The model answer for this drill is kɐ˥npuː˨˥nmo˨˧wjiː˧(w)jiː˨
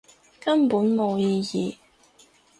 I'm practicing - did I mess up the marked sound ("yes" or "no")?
yes